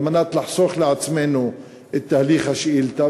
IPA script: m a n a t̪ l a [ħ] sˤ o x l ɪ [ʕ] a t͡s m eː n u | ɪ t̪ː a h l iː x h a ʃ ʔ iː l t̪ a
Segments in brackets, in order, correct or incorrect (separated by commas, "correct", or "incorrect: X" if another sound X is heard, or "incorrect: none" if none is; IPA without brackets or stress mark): correct, correct